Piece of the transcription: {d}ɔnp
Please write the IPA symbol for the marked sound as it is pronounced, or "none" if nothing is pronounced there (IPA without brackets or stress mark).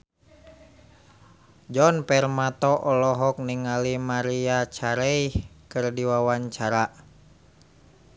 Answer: d͡ʒ